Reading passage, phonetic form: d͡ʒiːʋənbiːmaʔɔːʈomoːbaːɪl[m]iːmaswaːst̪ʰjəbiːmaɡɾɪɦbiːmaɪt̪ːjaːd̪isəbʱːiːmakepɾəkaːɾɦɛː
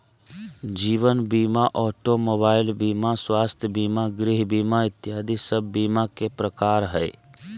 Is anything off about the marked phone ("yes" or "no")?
yes